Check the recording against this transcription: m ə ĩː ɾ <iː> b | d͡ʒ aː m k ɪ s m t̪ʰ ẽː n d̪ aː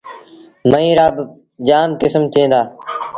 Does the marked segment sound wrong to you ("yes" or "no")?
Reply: yes